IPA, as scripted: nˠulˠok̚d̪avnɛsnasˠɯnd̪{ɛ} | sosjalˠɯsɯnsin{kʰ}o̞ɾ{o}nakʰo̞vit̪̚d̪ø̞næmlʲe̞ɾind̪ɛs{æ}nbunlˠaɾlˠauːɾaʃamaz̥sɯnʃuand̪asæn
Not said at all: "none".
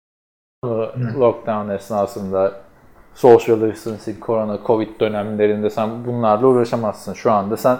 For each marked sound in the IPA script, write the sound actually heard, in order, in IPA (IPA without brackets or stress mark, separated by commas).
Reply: a, kʰ, o, æ